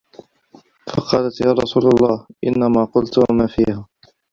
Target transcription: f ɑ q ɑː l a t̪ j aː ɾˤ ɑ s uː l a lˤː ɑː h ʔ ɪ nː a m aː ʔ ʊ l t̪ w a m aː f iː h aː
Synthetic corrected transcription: f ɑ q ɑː l a t̪ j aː ɾˤ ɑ s uː l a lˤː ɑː h ʔ ɪ nː a m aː q ʊ l t̪ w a m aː f iː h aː